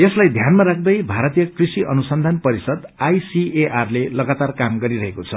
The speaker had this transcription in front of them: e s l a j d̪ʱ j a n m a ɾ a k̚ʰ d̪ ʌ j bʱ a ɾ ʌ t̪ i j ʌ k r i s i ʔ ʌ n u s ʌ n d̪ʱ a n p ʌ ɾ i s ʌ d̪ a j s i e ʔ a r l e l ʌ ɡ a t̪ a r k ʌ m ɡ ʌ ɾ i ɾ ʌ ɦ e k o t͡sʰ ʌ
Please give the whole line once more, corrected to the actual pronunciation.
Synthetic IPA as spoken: e s l a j d̪ʱ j a n m a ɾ a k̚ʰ d̪ ʌ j bʱ a ɾ ʌ t̪ i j ʌ k r i s i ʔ ʌ n u s ʌ n d̪ʱ a n p ʌ ɾ i s ʌ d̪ a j s i e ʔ a r l e l ʌ ɡ a t̪ a r k a m ɡ ʌ ɾ i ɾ ʌ ɦ e k o t͡sʰ ʌ